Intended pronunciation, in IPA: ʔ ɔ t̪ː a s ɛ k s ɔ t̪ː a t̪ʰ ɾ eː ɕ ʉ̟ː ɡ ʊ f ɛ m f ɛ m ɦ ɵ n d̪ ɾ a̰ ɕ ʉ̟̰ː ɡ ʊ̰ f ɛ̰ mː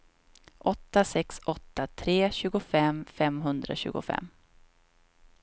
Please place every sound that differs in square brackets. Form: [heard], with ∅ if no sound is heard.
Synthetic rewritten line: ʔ ɔ t̪ː a s ɛ k s ɔ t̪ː a t̪ʰ ɾ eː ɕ ʉ̟ː ɡ ʊ f ɛ m f ɛ m ɦ ɵ n d̪ ɾ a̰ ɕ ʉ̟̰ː ɡ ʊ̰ f ɛ̰ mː